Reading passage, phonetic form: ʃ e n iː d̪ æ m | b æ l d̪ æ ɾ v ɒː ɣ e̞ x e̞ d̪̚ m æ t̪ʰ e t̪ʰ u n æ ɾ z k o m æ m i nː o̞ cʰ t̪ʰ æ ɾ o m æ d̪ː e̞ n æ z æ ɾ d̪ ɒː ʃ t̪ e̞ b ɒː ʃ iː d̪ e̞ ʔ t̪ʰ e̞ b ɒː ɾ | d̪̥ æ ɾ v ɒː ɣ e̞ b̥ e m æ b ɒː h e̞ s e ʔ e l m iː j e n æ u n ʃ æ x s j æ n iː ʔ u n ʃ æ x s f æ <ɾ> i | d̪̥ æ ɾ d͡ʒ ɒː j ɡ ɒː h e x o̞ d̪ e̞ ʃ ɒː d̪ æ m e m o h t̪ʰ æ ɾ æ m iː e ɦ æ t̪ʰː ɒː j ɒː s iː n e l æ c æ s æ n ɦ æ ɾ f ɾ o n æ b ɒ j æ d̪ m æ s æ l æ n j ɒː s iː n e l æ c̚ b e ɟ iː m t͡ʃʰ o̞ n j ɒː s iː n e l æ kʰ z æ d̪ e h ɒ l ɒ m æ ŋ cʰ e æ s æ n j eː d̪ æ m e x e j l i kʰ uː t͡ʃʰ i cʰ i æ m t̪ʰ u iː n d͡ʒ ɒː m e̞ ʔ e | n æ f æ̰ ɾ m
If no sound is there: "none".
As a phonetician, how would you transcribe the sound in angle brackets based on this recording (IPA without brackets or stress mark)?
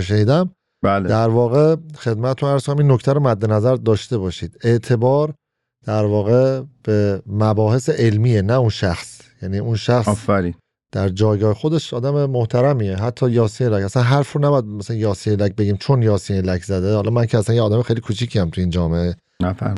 ɾ